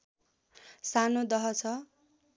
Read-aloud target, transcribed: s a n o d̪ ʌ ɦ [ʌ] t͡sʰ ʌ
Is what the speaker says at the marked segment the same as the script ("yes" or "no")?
yes